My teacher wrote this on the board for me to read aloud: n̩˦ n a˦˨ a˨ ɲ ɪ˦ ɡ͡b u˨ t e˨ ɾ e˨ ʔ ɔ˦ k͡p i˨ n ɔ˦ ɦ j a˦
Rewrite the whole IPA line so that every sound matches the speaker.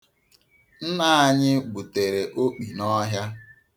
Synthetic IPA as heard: n̩˦ n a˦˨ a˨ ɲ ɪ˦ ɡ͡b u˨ t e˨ ɾ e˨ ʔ o˦ k͡p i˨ n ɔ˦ ɦ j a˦